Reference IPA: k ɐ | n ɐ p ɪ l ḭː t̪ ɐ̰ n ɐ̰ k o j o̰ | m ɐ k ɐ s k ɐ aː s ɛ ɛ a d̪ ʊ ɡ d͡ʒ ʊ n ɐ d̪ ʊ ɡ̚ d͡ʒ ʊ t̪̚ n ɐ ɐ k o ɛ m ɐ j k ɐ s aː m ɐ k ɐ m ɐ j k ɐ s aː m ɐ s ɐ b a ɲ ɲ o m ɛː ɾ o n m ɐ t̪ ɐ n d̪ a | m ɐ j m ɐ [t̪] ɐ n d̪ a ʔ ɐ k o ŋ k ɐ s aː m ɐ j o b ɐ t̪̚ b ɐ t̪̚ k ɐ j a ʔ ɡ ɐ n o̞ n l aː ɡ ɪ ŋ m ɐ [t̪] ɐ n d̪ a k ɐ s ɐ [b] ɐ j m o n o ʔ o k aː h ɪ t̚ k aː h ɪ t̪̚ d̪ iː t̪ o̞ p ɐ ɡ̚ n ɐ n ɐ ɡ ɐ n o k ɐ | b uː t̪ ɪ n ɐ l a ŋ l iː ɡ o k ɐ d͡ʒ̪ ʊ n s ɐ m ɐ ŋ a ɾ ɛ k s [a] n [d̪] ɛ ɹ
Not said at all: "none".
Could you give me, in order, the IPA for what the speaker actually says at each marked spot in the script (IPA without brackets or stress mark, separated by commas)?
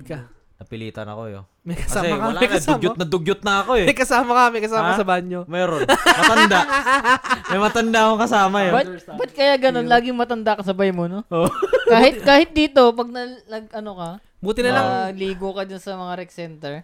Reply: t̪, t̪, b, ɛ, t̪